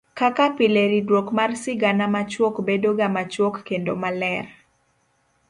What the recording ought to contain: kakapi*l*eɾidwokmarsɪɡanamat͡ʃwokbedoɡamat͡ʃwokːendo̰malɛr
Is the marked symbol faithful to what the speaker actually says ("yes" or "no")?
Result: yes